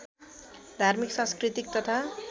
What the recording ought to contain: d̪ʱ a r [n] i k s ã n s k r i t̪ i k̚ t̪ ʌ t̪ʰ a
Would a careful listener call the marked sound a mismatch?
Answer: yes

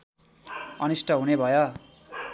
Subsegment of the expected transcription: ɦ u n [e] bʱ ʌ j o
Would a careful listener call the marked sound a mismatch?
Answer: no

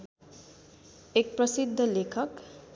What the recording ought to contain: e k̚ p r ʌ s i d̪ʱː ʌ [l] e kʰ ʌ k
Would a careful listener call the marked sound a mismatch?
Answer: no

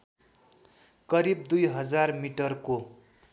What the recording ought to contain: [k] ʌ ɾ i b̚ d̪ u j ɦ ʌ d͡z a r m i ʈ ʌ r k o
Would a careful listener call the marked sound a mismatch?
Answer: no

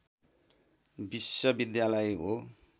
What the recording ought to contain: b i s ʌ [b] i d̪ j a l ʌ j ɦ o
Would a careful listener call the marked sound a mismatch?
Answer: no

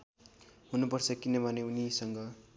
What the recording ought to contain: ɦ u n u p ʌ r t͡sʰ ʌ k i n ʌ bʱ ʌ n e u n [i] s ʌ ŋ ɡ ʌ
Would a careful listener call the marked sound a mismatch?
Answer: no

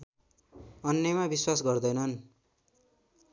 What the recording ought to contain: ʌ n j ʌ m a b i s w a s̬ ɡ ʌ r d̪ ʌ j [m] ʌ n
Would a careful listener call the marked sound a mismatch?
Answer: yes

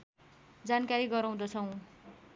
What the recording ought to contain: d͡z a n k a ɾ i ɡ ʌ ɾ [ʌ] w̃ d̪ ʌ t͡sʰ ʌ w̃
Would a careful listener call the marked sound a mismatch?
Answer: yes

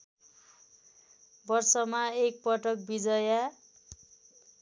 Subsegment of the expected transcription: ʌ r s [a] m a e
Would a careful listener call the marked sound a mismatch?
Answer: yes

